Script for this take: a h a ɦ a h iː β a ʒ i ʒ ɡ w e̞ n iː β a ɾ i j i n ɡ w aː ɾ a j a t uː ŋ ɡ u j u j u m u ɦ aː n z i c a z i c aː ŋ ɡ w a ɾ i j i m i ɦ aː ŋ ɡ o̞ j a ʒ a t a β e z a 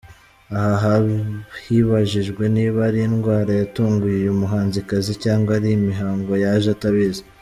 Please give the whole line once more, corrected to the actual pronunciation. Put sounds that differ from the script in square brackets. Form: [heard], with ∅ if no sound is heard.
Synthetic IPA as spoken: a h a ɦ a h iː β a ʒ i ʒ ɡ w e̞ n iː β a ɾ i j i n ɡ w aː ɾ a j a t uː ŋ ɡ u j u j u m u ɦ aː n z i [k] a z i c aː ŋ ɡ w a ɾ i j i m i ɦ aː ŋ ɡ o̞ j a ʒ a t a β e z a